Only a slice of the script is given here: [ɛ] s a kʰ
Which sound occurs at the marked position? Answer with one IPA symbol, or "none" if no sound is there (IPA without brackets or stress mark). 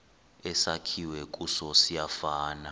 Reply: ɛ